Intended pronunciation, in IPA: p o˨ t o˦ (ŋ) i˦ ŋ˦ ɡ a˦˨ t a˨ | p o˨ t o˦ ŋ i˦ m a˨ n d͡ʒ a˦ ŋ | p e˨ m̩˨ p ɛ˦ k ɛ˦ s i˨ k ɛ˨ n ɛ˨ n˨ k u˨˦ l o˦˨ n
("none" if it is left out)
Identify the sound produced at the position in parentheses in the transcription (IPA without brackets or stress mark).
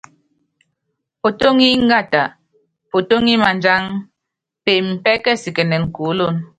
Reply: ŋ